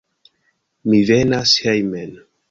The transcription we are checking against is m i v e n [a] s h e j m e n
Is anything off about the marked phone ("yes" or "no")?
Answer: no